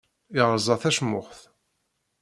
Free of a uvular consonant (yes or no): no